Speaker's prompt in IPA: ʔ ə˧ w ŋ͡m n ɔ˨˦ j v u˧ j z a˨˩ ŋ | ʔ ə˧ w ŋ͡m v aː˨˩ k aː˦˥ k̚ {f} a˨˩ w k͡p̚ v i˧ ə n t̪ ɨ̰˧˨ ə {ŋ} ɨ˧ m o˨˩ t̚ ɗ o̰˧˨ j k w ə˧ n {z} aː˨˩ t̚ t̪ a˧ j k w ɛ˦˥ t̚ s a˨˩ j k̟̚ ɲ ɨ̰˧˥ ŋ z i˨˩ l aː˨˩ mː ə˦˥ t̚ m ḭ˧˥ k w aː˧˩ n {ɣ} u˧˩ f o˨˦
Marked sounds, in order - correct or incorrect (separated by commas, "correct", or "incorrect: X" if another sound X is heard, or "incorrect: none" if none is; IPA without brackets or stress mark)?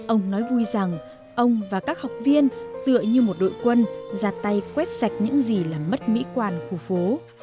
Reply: incorrect: h, incorrect: ɲ, correct, incorrect: x